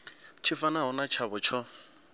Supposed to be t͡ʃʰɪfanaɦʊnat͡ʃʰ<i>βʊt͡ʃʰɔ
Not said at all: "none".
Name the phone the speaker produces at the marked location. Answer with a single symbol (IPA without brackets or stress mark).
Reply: a